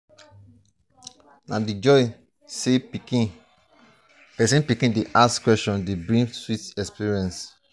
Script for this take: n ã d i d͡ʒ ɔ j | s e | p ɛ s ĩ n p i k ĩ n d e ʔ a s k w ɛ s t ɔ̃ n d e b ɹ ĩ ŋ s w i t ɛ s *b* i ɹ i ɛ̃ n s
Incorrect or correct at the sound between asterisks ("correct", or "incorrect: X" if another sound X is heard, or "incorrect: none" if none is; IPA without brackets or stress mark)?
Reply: incorrect: p